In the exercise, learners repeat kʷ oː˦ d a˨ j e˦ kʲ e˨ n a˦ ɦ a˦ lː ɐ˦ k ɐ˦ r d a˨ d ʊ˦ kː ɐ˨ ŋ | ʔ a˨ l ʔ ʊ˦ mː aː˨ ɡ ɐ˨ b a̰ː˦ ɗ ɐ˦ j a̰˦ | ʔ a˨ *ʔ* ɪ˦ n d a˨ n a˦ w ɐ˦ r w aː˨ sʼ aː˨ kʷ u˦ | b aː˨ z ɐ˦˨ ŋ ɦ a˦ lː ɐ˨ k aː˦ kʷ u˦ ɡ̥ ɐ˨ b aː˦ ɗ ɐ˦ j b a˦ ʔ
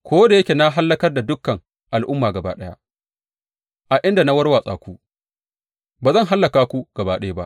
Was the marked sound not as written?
no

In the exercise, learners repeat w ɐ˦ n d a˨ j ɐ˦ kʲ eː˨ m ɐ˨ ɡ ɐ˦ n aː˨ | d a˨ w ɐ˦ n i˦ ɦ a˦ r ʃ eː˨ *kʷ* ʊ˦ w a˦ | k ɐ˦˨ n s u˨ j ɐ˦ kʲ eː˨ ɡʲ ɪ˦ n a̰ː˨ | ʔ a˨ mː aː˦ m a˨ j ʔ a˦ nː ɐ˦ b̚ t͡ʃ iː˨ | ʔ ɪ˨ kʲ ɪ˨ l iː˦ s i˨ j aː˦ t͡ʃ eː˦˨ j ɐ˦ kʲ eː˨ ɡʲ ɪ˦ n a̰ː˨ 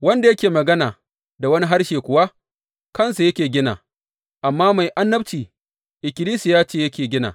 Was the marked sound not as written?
no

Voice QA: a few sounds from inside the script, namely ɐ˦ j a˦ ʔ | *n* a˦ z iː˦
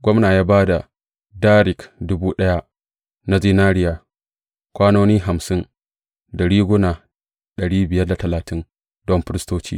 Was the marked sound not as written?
no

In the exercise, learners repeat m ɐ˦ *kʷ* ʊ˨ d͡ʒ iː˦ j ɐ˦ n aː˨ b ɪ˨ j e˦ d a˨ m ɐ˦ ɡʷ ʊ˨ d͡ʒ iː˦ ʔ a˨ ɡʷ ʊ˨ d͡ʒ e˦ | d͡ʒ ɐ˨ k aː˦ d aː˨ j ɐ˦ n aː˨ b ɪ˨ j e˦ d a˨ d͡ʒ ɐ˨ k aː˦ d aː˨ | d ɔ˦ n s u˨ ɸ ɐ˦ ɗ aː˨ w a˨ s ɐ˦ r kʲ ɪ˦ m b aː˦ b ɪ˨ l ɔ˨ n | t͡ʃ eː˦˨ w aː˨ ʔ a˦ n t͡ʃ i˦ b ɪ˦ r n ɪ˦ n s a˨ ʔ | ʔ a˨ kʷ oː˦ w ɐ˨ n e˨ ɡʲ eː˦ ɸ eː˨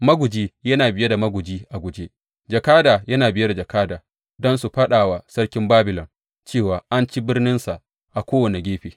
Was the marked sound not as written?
yes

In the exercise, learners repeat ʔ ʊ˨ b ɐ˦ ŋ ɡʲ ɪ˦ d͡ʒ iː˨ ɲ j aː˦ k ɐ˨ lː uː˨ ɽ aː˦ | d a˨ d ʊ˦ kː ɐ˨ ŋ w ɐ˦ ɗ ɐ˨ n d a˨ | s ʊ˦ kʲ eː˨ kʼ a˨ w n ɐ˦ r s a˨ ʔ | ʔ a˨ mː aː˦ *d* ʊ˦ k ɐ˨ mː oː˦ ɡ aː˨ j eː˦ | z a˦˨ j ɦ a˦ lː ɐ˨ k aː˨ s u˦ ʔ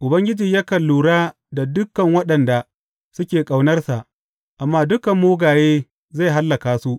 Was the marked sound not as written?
no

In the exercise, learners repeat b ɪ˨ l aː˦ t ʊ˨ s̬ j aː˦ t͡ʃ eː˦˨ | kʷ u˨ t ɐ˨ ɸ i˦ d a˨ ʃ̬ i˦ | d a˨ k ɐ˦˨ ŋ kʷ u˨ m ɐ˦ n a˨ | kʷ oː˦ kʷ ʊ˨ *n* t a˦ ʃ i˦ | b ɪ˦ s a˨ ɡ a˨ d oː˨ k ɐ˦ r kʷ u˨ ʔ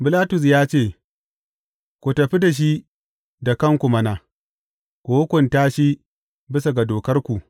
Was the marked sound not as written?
no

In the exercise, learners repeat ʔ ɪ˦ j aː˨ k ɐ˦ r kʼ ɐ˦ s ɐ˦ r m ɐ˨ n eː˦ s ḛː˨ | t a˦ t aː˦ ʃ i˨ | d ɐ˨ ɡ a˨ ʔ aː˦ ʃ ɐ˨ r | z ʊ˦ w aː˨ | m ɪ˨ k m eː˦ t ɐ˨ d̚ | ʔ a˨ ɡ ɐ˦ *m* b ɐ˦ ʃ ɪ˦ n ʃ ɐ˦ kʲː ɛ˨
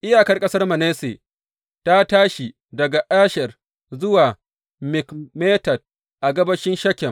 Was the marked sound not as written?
yes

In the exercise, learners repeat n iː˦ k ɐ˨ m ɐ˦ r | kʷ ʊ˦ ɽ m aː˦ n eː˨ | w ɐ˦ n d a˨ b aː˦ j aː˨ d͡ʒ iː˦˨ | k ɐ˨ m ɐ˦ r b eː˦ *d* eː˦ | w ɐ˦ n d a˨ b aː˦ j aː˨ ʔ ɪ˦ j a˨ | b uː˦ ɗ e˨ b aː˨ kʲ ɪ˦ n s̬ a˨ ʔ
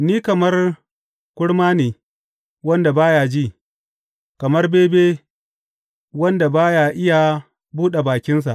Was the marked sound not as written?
yes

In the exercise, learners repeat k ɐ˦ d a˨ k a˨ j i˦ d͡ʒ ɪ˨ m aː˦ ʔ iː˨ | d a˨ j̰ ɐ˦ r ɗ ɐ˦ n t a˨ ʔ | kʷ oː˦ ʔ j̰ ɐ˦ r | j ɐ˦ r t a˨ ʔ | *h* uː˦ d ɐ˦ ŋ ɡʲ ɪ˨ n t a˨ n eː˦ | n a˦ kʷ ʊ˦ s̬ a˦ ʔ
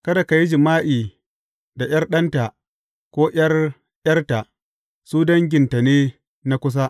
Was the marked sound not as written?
yes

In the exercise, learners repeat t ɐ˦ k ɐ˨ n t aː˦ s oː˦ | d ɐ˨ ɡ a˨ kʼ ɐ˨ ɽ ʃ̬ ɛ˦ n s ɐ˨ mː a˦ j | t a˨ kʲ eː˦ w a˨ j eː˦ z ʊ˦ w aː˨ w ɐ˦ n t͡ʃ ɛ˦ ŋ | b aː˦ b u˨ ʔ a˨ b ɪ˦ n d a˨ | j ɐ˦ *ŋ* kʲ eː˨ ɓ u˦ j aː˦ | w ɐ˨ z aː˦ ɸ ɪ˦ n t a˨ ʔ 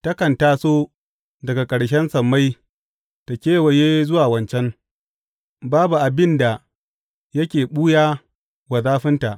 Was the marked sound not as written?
yes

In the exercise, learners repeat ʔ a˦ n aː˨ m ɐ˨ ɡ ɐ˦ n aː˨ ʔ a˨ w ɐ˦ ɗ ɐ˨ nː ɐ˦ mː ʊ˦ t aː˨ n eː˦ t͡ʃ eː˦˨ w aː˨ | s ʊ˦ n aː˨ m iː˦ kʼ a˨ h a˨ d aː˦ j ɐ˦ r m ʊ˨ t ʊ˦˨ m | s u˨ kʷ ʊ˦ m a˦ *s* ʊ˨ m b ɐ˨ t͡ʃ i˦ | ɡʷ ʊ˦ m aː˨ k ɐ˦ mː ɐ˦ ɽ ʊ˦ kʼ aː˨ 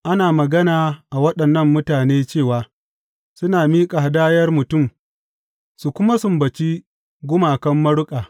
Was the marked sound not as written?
no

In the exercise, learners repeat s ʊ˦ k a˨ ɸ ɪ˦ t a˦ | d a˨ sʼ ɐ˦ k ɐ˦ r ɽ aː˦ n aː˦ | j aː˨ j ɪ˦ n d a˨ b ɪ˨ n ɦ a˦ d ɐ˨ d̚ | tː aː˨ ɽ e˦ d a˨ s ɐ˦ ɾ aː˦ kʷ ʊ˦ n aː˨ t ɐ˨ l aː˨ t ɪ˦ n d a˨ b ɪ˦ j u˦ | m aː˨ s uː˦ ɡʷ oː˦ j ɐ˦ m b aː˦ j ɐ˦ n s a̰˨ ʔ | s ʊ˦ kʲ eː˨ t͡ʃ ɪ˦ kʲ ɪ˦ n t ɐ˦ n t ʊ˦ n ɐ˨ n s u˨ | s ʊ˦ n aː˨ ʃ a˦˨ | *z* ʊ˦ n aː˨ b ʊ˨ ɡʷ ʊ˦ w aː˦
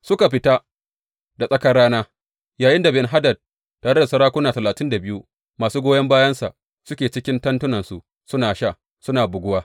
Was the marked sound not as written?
yes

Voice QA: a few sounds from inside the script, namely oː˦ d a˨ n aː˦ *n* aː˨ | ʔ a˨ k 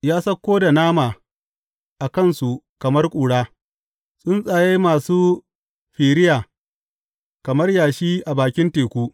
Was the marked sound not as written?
yes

